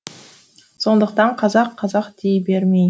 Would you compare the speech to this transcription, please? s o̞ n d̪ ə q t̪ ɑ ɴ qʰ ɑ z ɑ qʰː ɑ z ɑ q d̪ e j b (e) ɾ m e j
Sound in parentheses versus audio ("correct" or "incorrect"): correct